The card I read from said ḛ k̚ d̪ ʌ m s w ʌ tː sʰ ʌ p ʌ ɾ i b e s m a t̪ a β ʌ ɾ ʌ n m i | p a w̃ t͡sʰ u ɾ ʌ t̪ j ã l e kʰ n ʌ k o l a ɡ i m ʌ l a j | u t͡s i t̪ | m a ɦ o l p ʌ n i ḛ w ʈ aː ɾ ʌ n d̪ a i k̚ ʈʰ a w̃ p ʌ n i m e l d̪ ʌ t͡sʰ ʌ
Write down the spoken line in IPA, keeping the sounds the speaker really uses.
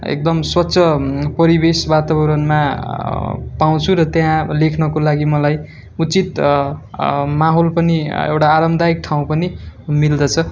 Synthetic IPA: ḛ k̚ d̪ ʌ m s w ʌ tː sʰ ʌ p ʌ ɾ i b e s b a t̪ a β ʌ ɾ ʌ n m a | p a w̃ t͡sʰ u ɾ ʌ t̪ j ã l e kʰ n ʌ k o l a ɡ i m ʌ l a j | u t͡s i t̪ | m a ɦ o l p ʌ n i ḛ w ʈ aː ɾ ʌ m d̪ a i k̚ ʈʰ a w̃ p ʌ n i m i l d̪ ʌ t͡sʰ ʌ